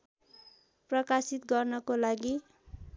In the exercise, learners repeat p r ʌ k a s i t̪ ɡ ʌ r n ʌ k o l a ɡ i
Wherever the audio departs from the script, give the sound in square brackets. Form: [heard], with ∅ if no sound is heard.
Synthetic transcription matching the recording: p r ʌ k a s i t̪ ɡ ʌ r n ʌ k o l a ɡ i